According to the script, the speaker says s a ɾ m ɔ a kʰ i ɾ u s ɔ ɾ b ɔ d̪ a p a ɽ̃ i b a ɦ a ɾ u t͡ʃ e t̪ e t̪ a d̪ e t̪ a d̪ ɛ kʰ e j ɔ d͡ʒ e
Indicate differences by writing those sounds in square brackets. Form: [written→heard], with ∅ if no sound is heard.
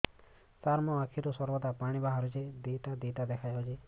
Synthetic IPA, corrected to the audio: s a ɾ m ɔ a kʰ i ɾ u s ɔ ɾ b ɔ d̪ a p a ɽ̃ i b a ɦ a ɾ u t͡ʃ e [t̪→d̪] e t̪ a d̪ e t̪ a d̪ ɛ kʰ [e→a] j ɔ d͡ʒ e